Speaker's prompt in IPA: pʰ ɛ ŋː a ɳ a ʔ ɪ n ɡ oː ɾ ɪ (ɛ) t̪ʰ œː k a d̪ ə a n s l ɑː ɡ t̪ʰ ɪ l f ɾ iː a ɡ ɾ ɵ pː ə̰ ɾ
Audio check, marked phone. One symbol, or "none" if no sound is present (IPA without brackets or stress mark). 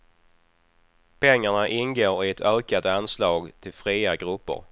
ɛ